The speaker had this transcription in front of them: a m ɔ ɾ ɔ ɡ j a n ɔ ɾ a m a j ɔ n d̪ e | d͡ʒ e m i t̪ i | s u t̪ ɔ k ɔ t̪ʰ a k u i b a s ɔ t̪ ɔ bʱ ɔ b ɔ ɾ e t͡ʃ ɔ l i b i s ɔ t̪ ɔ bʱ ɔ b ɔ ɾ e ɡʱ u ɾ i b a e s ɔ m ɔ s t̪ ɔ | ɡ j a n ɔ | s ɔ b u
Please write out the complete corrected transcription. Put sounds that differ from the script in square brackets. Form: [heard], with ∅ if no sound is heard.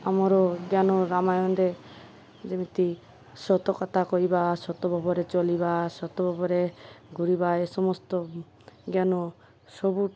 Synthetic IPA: a m ɔ ɾ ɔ ɡ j a n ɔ ɾ a m a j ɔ n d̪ e | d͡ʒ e m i t̪ i | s [ɔ] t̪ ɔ k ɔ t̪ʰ a k [ɔ] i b a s ɔ t̪ ɔ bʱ ɔ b ɔ ɾ e t͡ʃ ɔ l i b [a] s ɔ t̪ ɔ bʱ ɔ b ɔ ɾ e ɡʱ u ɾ i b a e s ɔ m ɔ s t̪ ɔ | ɡ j a n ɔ | s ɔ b u